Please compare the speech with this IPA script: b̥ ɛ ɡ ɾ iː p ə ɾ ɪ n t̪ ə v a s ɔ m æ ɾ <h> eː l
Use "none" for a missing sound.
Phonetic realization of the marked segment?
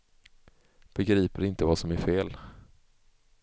f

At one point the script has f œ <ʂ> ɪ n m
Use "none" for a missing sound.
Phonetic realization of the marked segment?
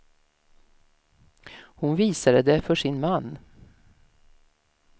ʂ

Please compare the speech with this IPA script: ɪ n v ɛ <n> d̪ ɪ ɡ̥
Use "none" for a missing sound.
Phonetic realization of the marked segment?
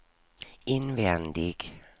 n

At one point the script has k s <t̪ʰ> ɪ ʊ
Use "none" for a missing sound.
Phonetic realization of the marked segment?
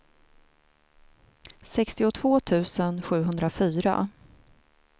t̪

